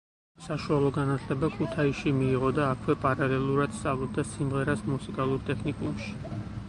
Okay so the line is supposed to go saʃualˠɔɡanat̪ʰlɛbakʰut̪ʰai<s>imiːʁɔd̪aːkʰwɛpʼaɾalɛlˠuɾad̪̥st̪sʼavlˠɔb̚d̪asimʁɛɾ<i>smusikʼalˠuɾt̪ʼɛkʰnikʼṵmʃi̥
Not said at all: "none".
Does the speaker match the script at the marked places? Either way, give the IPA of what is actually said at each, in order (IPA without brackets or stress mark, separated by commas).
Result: ʃ, a